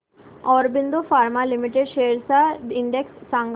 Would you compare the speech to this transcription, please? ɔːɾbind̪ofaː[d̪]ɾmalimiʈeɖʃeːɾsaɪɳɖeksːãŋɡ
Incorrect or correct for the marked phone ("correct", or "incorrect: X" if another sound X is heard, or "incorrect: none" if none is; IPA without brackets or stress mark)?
incorrect: none